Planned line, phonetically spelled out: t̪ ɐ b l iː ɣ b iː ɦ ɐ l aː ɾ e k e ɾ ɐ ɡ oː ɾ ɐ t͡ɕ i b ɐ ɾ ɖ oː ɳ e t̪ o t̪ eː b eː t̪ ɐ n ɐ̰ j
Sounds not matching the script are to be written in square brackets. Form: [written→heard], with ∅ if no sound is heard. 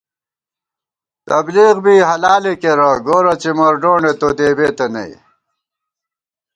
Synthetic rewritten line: t̪ ɐ b l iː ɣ b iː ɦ ɐ l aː [ɾ→l] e k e ɾ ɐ ɡ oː ɾ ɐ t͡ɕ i [b→m] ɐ ɾ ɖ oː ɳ e t̪ o [t̪→d̪] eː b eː t̪ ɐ n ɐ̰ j